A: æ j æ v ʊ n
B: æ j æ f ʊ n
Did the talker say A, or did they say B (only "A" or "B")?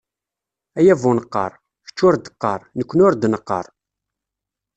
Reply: A